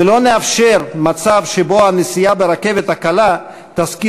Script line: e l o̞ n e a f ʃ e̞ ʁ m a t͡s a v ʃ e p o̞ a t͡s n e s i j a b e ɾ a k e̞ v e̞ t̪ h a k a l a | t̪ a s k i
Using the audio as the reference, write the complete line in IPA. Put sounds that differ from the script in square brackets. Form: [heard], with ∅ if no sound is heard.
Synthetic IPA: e l o̞ n e a f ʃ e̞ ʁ m a t͡s a v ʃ e [b] o̞ a [∅] n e s i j a b e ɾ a k e̞ v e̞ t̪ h a k a l a | t̪ a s k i